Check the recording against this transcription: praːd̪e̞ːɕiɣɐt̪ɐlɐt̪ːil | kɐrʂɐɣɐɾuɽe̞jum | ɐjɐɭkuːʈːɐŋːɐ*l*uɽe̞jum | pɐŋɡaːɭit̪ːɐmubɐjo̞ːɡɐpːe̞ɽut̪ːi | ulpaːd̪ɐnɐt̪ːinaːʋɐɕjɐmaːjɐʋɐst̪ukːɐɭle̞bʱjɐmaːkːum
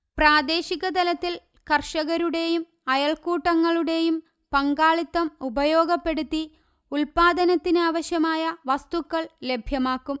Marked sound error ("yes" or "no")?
yes